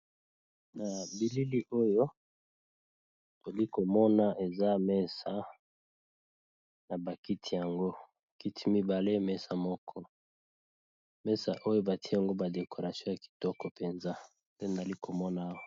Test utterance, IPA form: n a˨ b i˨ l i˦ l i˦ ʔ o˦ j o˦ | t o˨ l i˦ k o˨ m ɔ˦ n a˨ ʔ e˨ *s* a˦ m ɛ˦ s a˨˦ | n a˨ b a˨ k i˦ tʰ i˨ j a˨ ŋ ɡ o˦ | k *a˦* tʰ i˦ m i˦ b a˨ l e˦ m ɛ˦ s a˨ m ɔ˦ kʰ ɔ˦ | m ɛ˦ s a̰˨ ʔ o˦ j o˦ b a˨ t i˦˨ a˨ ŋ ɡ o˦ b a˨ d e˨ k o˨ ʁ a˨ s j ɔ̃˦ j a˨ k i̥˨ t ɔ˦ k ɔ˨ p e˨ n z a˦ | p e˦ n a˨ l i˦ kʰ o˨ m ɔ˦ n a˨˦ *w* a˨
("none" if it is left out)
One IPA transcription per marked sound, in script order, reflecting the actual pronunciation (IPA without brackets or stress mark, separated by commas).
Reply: z, i˦, w